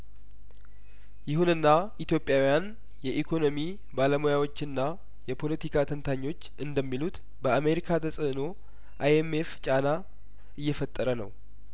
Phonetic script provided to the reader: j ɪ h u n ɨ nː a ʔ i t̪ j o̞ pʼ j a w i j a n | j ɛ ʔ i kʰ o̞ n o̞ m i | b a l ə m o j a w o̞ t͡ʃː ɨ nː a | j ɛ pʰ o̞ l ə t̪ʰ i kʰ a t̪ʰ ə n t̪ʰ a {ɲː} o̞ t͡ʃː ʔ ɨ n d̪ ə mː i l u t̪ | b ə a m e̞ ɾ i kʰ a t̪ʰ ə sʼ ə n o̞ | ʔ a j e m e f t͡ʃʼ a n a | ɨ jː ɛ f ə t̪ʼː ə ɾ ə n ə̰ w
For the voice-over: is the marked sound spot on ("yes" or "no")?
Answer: yes